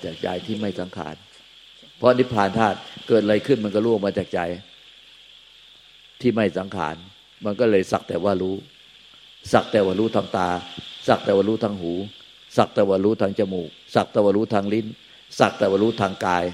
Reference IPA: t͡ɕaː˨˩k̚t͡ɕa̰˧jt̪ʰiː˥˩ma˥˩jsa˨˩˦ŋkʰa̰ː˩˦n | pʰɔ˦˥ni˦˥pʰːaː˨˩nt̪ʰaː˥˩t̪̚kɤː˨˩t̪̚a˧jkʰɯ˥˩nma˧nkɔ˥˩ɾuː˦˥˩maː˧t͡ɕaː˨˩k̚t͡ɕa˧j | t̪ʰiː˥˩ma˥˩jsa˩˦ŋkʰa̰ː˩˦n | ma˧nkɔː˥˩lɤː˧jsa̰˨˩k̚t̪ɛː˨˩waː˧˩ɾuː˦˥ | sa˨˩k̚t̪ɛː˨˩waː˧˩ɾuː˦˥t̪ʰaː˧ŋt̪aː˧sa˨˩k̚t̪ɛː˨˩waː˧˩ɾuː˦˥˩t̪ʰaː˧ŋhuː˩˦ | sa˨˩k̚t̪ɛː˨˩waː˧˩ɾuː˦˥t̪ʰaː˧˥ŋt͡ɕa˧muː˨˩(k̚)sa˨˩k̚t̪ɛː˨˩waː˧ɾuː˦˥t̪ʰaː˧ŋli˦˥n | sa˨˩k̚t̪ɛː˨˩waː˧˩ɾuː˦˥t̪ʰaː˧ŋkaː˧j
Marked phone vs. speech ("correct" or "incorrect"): correct